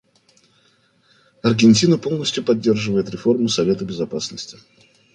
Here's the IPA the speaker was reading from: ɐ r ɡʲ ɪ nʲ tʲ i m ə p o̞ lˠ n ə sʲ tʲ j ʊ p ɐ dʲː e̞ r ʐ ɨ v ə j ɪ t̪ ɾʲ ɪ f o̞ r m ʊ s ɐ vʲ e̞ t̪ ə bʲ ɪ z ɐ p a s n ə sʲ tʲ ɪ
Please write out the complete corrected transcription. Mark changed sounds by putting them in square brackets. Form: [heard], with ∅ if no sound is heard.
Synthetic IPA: ɐ r ɡʲ ɪ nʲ tʲ i [n] ə p o̞ lˠ n ə sʲ tʲ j ʊ p ɐ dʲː e̞ r ʐ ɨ v ə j ɪ t̪ ɾʲ ɪ f o̞ r m ʊ s ɐ vʲ e̞ t̪ ə bʲ ɪ z ɐ p a s n ə sʲ tʲ ɪ